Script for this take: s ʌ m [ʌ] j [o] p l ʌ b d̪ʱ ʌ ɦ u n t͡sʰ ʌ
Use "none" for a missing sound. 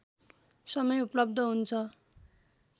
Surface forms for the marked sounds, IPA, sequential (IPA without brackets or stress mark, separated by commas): ʌ, u